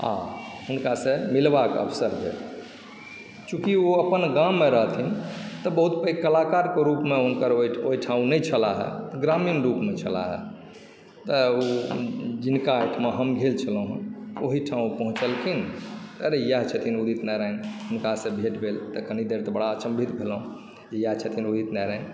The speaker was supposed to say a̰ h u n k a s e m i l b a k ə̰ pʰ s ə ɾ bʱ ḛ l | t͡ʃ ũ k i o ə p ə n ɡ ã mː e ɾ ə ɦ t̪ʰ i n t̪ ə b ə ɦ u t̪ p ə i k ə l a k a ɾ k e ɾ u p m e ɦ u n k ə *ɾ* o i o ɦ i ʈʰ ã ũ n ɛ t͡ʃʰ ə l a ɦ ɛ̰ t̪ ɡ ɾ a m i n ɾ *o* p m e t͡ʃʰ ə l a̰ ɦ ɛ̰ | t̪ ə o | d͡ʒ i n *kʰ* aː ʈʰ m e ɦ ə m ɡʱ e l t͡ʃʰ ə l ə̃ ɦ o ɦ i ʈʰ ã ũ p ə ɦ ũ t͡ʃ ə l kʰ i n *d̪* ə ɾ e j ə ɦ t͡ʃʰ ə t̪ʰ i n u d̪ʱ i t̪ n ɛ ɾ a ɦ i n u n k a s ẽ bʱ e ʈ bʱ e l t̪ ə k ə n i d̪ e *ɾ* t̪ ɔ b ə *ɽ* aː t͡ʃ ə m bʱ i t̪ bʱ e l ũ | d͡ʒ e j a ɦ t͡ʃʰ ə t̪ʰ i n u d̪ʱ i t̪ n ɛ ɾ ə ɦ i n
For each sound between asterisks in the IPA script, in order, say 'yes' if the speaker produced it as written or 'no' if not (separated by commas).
yes, no, no, no, yes, yes